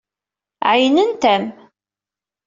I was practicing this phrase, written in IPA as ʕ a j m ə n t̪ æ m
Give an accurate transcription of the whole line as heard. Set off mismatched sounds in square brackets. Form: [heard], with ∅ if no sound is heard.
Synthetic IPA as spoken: ʕ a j [n] ə n t̪ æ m

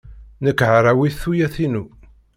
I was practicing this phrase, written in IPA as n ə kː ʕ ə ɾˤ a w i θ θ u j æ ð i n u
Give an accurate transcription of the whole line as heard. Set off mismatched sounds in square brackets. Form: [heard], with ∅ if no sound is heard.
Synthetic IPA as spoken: n ə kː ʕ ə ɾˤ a w i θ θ u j æ [θ] i n u

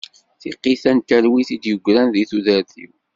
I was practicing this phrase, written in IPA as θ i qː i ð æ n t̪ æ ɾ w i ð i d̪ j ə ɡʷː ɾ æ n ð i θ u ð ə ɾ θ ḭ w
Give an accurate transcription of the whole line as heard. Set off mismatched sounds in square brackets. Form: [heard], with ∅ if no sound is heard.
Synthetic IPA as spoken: θ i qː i [θ] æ n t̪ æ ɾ w i [θ] i d̪ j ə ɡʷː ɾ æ n ð i θ u ð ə ɾ θ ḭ w

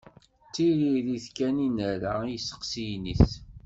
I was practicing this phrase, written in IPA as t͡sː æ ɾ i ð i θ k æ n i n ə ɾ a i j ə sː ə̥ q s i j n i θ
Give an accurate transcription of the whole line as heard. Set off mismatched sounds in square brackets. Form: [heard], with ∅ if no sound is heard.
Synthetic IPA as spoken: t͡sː [i] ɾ i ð i θ k æ n i n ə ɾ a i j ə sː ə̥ q s i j n i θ

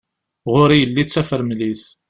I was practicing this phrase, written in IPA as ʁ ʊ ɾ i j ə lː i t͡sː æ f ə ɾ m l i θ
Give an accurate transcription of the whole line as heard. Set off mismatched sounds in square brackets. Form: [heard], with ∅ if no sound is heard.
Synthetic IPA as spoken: ʁ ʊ ɾ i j ə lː i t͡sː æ f ə ɾ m l i θ

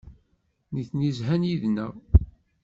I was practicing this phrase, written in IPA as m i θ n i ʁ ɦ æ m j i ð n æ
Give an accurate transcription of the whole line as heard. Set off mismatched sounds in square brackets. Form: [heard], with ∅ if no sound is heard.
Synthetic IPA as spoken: [n] i θ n i [z] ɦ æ [n] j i ð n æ

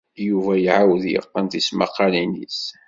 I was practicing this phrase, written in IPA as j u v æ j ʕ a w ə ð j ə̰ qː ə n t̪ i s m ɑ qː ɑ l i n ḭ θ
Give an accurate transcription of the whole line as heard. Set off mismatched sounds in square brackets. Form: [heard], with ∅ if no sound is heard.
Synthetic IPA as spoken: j u v æ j ʕ a w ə ð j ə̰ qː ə n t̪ i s m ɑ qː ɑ l i n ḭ [s]

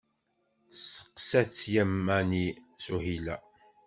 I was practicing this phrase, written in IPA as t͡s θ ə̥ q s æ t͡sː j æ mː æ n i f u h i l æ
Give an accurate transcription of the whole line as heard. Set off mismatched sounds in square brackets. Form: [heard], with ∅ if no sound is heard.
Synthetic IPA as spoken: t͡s [s] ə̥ q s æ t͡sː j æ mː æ n i [s] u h i l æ

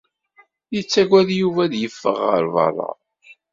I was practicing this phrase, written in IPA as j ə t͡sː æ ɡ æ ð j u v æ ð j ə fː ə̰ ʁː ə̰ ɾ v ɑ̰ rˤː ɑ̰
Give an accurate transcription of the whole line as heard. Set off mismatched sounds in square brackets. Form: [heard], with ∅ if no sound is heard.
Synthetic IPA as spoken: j ə t͡sː æ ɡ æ ð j u v æ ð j ə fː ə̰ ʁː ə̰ ɾ v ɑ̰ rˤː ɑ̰

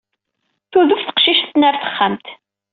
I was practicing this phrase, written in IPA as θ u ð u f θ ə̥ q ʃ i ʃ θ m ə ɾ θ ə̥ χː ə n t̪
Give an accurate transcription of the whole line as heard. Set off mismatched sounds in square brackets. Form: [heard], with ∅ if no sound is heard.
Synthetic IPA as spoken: θ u ð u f θ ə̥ q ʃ i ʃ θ [n] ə ɾ θ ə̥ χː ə [m] t̪

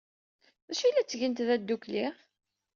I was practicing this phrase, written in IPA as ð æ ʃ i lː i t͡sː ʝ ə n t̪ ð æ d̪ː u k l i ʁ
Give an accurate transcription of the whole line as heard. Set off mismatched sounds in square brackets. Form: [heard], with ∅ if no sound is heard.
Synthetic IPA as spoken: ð æ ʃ i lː [æ] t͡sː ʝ ə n t̪ ð æ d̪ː u k l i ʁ

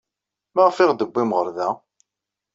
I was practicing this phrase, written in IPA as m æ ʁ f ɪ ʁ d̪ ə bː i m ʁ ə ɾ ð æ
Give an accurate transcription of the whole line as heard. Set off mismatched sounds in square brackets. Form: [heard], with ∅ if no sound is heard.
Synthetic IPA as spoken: m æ ʁ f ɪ ʁ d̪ ə bː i m ʁ ə ɾ ð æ

